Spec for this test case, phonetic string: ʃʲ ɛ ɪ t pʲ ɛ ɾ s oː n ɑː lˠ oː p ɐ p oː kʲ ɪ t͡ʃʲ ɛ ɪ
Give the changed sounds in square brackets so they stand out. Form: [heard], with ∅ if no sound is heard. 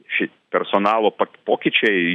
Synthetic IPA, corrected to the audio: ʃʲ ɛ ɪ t pʲ ɛ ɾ s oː n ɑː lˠ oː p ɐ p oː kʲ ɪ t͡ʃʲ ɛ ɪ